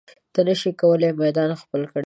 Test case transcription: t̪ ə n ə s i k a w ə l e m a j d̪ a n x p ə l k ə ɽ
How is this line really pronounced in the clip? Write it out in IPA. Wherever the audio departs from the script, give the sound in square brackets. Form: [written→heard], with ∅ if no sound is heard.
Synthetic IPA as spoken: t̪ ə n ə [s→ʃ] i k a w ə l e m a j d̪ [a→ɑ] n x p ə l k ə ɽ